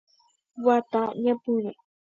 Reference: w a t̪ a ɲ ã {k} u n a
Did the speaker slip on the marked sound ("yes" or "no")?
yes